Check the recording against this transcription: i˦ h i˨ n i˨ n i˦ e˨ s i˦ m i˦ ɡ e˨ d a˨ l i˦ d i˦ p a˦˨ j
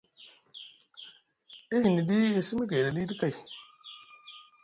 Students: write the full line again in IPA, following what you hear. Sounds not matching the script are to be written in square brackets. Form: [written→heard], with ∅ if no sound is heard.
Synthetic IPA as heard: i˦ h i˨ n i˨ [n→d] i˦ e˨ s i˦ m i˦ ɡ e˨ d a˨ l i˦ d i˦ [p→k] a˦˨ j